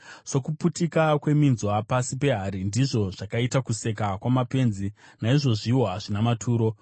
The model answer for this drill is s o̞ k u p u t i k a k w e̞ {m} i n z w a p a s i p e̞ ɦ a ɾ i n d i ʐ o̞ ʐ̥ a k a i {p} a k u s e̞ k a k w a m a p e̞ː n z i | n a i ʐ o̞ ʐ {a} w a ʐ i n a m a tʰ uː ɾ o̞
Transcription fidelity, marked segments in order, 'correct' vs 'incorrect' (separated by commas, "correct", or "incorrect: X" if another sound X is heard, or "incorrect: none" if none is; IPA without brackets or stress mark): correct, incorrect: t, incorrect: i